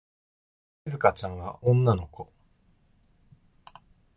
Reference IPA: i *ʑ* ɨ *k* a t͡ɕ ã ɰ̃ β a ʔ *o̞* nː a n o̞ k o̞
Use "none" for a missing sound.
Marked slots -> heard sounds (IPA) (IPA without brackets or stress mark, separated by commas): z, k, õ̞